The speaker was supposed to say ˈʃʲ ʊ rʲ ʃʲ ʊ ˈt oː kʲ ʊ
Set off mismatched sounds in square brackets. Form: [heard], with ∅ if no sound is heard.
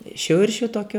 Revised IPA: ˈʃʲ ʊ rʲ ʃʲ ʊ ˈt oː kʲ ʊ

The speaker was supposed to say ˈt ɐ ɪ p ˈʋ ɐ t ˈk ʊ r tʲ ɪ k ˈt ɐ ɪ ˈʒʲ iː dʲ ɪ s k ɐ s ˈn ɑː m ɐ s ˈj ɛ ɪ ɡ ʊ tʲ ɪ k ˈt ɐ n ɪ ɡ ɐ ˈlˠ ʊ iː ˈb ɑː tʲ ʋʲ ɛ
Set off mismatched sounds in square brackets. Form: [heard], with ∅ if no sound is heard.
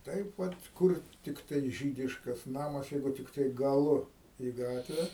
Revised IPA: ˈt ɐ ɪ p ˈʋ ɐ t ˈk ʊ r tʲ ɪ k ˈt ɐ ɪ ˈʒʲ iː dʲ ɪ [ʃ] k ɐ s ˈn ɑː m ɐ s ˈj ɛ ɪ ɡ ʊ tʲ ɪ k ˈt ɐ [∅] ɪ ɡ ɐ ˈlˠ ʊ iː [ˈɡ] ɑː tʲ ʋʲ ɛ

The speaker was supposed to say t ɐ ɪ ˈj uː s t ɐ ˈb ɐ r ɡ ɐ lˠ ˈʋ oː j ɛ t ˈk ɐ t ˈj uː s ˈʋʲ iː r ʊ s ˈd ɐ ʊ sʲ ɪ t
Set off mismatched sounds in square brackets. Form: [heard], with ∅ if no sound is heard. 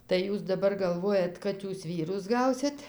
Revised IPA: t ɐ ɪ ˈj uː s [d] ɐ ˈb ɐ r ɡ ɐ lˠ ˈʋ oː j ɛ t ˈk ɐ t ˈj uː s ˈʋʲ iː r ʊ s [ˈɡ] ɐ ʊ sʲ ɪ t

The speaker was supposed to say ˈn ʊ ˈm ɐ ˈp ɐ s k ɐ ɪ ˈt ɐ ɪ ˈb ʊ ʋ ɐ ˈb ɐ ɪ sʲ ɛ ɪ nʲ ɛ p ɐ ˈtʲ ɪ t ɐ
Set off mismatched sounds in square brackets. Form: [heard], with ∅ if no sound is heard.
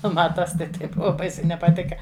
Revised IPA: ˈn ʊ ˈm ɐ [ˈt] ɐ s [t] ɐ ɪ ˈt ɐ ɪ ˈb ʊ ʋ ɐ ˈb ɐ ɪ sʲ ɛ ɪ nʲ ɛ p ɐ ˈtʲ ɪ [k] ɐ

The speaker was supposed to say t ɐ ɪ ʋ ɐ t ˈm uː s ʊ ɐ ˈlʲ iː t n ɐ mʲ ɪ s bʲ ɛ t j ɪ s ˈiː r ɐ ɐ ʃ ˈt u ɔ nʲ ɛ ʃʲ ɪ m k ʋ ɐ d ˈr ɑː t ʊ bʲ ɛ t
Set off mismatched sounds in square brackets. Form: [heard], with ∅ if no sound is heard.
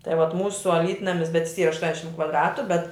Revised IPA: t ɐ ɪ ʋ ɐ t ˈm uː s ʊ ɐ ˈlʲ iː t n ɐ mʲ ɪ s bʲ ɛ t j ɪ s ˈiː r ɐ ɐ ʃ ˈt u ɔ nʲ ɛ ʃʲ ɪ m k ʋ ɐ d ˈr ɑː t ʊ bʲ ɛ t

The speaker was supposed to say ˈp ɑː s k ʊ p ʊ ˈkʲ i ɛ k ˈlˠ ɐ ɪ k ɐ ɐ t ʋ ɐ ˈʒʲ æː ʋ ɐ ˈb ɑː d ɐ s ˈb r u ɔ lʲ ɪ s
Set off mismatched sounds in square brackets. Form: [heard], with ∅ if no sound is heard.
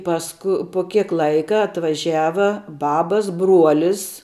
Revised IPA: ˈp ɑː s k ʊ p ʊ ˈkʲ i ɛ k ˈlˠ ɐ ɪ k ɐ ɐ t ʋ ɐ ˈʒʲ æː ʋ ɐ ˈb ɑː [b] ɐ s ˈb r u ɔ lʲ ɪ s

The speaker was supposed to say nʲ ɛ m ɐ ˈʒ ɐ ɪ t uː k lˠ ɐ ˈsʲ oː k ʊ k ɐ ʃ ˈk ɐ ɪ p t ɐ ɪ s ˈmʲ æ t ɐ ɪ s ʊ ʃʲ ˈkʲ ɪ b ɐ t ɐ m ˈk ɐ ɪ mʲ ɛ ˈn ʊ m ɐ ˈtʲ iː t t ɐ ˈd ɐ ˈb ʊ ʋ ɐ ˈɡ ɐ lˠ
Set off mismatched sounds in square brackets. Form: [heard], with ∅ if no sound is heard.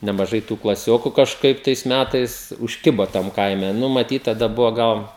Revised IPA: nʲ ɛ m ɐ ˈʒ ɐ ɪ t uː k lˠ ɐ ˈsʲ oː k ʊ k ɐ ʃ ˈk ɐ ɪ p t ɐ ɪ s ˈmʲ æ t ɐ ɪ s ʊ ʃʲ ˈkʲ ɪ b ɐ t ɐ m ˈk ɐ ɪ mʲ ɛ ˈn ʊ m ɐ ˈtʲ iː t t ɐ ˈd ɐ ˈb ʊ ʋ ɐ ˈɡ ɐ lˠ

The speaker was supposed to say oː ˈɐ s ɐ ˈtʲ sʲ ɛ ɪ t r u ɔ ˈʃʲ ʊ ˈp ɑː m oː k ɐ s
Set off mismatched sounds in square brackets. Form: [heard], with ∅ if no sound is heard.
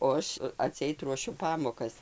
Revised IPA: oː ˈɐ [ʃ] ɐ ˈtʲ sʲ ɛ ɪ t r u ɔ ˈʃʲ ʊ ˈp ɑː m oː k ɐ s

